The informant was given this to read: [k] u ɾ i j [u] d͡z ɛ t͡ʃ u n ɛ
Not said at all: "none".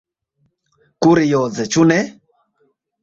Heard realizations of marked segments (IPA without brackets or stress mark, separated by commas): k, ɔ